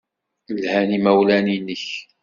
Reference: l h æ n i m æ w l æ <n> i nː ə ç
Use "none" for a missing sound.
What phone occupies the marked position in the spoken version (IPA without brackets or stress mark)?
n